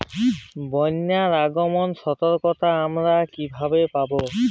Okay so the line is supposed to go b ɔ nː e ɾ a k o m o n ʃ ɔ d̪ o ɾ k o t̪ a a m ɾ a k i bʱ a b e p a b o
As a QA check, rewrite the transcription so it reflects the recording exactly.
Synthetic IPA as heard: b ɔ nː a ɾ a ɡ o m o n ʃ ɔ t̪ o ɾ k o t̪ a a m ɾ a k i bʱ a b e p a b o